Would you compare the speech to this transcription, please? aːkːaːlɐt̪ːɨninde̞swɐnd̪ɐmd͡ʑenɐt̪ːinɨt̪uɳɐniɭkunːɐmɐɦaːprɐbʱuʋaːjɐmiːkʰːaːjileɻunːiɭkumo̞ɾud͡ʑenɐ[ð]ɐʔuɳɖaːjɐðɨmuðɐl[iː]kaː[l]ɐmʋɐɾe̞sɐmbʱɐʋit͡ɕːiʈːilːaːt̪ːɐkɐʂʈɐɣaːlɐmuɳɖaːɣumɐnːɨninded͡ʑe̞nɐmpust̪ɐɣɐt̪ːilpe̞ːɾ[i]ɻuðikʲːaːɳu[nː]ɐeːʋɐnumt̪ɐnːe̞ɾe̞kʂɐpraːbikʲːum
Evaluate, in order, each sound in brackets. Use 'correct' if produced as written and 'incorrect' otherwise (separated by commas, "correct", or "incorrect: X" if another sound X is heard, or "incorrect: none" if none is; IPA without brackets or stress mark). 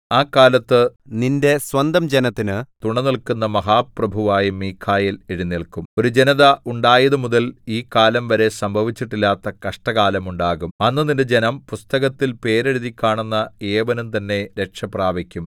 correct, correct, correct, incorrect: e, correct